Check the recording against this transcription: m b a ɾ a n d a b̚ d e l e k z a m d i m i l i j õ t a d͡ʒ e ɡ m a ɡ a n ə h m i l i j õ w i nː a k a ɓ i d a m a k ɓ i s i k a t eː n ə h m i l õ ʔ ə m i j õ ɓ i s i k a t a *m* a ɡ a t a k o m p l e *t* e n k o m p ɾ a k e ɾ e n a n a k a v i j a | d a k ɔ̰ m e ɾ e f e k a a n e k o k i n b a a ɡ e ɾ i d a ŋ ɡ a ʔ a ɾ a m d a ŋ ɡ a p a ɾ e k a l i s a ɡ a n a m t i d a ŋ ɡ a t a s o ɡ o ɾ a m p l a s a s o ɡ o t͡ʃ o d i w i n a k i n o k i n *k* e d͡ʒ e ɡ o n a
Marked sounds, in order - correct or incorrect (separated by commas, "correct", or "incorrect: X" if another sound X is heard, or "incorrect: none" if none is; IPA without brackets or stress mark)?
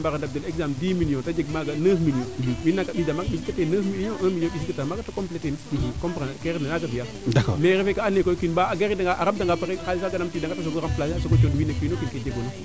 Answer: correct, correct, correct